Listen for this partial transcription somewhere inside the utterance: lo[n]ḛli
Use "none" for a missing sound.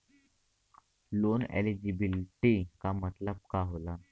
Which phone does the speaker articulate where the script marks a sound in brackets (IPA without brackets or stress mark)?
n